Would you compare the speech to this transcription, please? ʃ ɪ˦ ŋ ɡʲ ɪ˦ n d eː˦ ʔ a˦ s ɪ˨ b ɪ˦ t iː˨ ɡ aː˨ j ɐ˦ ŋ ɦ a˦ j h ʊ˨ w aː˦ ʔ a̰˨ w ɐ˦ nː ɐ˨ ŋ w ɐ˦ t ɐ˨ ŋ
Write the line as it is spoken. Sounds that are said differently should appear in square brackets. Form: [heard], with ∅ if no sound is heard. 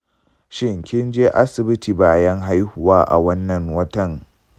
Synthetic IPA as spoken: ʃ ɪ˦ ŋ [kʲ] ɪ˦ n [d͡ʒ] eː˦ ʔ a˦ s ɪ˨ b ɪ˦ t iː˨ [b] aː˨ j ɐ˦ ŋ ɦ a˦ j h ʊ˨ w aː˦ ʔ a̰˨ w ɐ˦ nː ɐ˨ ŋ w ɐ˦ t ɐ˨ ŋ